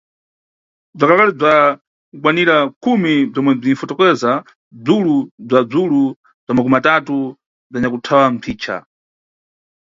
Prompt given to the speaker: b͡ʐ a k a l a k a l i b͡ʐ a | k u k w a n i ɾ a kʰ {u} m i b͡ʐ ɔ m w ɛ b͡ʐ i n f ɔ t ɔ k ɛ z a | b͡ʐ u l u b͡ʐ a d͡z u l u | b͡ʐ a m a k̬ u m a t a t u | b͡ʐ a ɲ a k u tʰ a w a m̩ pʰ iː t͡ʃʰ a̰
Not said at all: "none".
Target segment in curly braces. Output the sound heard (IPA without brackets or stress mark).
u